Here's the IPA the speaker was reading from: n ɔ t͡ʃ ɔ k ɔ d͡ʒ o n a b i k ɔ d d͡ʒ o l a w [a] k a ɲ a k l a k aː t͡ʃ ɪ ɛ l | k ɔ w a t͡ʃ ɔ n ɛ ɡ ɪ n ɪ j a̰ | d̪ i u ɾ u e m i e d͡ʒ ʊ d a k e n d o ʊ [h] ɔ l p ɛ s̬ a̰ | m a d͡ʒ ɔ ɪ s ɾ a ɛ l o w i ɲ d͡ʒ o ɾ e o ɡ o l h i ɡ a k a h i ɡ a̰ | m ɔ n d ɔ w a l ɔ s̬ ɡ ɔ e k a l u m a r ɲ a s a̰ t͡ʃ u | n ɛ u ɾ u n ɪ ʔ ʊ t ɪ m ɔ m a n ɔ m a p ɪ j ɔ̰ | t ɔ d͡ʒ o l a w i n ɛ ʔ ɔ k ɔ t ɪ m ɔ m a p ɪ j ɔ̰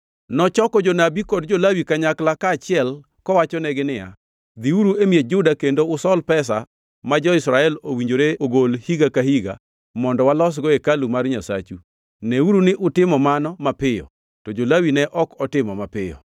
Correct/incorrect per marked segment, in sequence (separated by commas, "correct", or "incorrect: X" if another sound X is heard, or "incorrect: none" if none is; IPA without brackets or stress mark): incorrect: i, incorrect: s